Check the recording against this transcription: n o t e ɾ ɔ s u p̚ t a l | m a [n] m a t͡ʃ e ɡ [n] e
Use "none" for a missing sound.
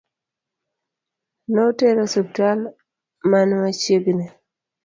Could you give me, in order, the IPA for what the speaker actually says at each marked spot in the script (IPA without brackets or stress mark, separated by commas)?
n, n